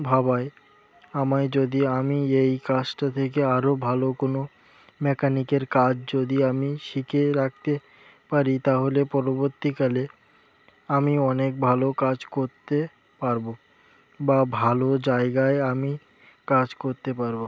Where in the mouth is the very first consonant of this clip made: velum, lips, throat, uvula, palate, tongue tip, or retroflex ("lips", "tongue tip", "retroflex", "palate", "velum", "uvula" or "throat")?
lips